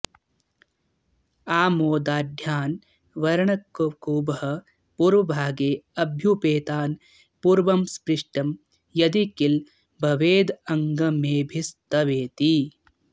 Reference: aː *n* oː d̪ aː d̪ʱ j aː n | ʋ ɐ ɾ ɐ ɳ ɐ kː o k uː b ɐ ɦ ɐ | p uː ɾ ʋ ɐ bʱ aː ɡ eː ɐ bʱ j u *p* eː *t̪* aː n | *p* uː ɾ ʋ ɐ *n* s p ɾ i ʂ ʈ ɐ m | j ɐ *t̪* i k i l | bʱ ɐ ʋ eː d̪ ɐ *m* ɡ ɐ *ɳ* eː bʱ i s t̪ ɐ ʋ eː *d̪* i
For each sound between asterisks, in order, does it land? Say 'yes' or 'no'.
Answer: no, yes, yes, yes, no, no, no, no, no

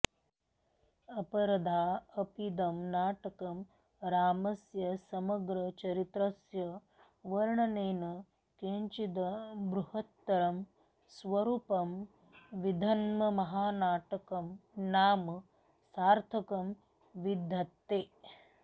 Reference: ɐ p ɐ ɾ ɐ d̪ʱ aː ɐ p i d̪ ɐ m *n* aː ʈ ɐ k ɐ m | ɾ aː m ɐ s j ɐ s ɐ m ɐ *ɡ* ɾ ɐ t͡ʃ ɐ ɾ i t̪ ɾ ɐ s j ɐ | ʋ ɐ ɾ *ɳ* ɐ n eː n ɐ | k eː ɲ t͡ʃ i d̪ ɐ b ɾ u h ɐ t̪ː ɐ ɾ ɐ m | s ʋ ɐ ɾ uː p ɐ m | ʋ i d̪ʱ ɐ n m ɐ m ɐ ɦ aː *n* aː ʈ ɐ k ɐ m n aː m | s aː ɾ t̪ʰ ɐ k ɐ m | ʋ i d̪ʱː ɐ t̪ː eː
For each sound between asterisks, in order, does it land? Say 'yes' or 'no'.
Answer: yes, yes, yes, yes

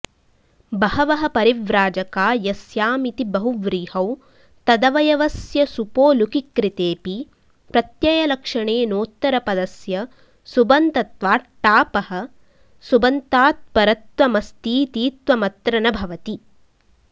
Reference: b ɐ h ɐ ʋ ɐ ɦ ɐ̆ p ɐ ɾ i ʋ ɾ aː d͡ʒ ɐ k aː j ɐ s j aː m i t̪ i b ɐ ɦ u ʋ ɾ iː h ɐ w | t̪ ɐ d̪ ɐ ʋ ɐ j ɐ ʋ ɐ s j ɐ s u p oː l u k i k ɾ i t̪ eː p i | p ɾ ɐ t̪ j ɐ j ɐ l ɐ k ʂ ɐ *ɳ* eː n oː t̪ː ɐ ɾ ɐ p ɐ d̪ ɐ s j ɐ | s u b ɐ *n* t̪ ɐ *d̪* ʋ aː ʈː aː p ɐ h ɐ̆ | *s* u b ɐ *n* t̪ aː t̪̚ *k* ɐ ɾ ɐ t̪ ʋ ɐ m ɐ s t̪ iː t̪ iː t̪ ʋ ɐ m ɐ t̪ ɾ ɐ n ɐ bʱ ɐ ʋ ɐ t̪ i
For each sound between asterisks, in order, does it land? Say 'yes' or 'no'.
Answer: yes, yes, no, yes, yes, no

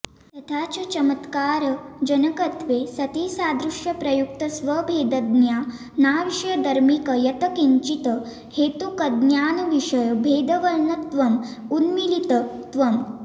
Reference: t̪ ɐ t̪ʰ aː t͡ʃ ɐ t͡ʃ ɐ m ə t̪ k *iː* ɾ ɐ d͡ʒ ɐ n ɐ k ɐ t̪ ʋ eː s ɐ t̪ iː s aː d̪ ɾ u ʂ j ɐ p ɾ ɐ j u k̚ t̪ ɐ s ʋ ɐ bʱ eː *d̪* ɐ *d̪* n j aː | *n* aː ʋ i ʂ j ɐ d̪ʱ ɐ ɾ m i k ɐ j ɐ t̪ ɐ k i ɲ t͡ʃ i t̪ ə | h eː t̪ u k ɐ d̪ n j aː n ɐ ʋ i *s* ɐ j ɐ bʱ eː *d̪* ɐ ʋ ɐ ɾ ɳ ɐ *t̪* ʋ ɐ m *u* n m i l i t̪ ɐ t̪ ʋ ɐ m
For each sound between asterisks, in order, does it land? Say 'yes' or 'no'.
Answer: no, yes, yes, yes, no, yes, yes, yes

